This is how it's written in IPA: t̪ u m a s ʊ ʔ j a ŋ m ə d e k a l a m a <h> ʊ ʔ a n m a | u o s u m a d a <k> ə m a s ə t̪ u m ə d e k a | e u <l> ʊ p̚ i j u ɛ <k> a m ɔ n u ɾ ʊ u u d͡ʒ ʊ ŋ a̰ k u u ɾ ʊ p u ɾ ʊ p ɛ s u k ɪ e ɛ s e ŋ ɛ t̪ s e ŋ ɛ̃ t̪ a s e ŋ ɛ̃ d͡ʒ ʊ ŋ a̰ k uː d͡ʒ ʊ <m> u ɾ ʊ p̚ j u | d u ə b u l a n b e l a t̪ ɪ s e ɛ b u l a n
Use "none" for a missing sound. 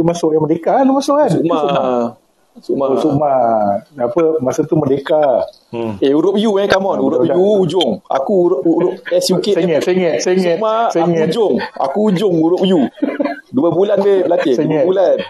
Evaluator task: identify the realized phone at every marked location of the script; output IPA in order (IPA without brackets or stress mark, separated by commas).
s, p, ɾ, k, ŋ